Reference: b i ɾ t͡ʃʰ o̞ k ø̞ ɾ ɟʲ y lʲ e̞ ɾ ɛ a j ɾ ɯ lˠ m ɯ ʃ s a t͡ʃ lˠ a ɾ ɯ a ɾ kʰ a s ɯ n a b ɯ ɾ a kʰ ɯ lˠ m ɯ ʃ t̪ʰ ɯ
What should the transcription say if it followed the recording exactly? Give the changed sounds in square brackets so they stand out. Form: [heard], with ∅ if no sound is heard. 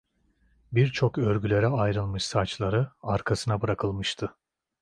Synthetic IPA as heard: b i ɾ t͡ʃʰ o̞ k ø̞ ɾ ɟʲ y lʲ e̞ ɾ ɛ a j ɾ ɯ lˠ m ɯ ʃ s a t͡ʃ lˠ a ɾ ɯ a ɾ kʰ a s ɯ n a b ɯ ɾ a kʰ ɯ lˠ m ɯ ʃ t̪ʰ ɯ